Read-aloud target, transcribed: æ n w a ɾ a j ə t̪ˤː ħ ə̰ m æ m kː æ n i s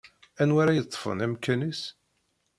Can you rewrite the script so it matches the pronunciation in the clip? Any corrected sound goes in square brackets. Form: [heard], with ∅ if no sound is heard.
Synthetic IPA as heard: æ n w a ɾ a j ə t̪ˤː [f] ə̰ [n] æ m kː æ n i s